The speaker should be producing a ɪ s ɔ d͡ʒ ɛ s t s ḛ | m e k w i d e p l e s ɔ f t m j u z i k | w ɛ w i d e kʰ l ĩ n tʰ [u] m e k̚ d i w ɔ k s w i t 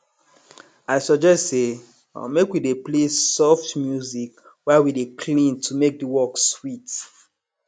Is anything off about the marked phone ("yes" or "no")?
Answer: no